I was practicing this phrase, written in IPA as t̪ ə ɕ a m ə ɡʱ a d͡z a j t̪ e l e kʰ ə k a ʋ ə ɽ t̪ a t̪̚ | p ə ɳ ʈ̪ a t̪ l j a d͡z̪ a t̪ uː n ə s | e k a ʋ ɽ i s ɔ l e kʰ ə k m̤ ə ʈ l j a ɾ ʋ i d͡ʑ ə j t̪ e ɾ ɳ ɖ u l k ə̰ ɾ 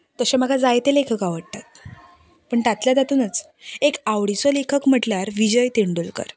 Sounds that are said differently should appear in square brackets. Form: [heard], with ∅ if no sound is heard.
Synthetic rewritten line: t̪ ə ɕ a m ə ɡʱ a d͡z a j t̪ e l e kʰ ə k a ʋ ə ɽ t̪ a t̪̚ | p ə ɳ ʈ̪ a t̪ l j a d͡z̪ a t̪ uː n ə [t͡s] | e k a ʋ ɽ i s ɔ l e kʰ ə k m̤ ə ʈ l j a ɾ ʋ i d͡ʑ ə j t̪ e [∅] ɳ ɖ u l k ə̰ ɾ